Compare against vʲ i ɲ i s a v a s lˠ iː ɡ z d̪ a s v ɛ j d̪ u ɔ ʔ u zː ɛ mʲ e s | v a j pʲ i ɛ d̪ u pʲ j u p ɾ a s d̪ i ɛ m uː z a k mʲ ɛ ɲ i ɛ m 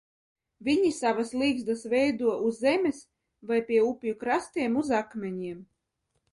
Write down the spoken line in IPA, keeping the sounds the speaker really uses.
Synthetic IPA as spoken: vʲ i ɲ i s a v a s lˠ iː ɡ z d̪ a s v ɛ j d̪ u ɔ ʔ u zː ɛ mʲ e s | v a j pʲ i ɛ u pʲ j u k ɾ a s t̪ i ɛ m u z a k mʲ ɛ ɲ i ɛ m